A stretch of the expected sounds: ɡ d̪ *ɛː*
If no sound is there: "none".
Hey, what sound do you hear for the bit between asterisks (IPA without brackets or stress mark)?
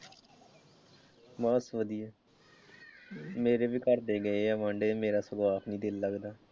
aː